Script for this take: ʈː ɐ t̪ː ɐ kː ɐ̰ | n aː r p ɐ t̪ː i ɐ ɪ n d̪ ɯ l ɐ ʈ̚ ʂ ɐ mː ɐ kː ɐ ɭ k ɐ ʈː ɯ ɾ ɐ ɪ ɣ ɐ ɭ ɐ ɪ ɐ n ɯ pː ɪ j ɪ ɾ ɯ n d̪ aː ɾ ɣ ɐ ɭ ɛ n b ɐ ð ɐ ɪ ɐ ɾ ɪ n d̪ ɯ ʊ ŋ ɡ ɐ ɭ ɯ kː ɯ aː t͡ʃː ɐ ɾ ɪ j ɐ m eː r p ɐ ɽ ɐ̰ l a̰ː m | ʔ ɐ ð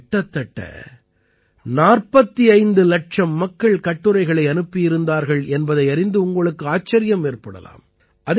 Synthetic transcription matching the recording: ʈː ɐ t̪ː ɐ ʈː ɐ̰ | n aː r p ɐ t̪ː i ɐ ɪ n d̪ ɯ l ɐ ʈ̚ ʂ ɐ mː ɐ kː ɐ ɭ k ɐ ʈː ɯ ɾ ɐ ɪ ɣ ɐ ɭ ɐ ɪ ɐ n ɯ pː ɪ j ɪ ɾ ɯ n d̪ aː ɾ ɣ ɐ ɭ ɛ n b ɐ ð ɐ ɪ ɐ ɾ ɪ n d̪ ɯ ʊ ŋ ɡ ɐ ɭ ɯ kː ɯ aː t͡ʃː ɐ ɾ ɪ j ɐ m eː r p ɐ ɽ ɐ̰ l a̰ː m | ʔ ɐ ð